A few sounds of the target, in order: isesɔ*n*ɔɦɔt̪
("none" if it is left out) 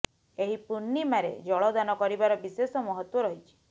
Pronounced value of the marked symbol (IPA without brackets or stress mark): m